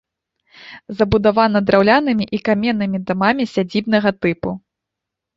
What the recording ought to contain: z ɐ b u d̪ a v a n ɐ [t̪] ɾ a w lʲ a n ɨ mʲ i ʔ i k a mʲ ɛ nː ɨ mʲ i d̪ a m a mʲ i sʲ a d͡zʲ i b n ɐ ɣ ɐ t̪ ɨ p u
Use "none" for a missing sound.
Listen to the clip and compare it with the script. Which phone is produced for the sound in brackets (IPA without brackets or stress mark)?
d̪